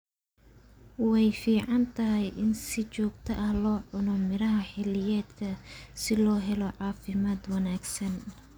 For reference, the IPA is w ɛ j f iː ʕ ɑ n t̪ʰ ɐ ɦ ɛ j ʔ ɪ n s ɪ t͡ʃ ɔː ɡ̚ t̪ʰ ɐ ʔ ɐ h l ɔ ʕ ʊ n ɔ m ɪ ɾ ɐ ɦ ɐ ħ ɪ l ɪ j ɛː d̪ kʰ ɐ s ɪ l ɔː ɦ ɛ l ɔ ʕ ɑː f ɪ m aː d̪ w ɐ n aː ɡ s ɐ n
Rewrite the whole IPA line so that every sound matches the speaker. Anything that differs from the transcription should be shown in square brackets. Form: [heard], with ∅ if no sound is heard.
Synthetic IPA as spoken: w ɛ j f iː ʕ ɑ n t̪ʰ ɐ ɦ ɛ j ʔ ɪ n s ɪ t͡ʃ ɔː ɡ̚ t̪ʰ ɐ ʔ ɐ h l [ɔː] ʕ ʊ n ɔ m ɪ ɾ ɐ ɦ ɐ ħ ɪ l ɪ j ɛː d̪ kʰ ɐ s ɪ l ɔː ɦ ɛ l ɔ ʕ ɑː f ɪ m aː d̪ w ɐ n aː ɡ s ɐ n